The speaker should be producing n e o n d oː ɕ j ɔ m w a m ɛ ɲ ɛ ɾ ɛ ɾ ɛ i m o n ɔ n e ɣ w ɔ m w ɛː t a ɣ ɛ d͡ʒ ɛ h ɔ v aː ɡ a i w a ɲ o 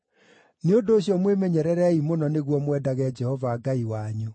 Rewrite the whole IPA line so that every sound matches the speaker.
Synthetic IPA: n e o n d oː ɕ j ɔ m w e m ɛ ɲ ɛ ɾ ɛ ɾ ɛ i m o n ɔ n e ɣ w ɔ m w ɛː d a ɣ ɛ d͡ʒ ɛ h ɔ v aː ɡ a i w a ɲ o